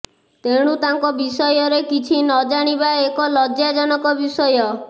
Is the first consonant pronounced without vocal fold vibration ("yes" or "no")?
yes